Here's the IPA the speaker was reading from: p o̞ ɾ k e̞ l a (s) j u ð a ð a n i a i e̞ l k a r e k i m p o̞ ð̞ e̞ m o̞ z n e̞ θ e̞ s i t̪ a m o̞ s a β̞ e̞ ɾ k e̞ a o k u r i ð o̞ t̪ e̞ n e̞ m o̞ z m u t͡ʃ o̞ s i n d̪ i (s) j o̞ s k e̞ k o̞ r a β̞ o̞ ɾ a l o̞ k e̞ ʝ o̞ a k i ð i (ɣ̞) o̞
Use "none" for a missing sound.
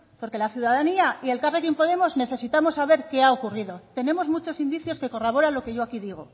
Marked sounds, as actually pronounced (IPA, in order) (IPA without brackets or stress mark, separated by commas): θ, θ, ɣ̞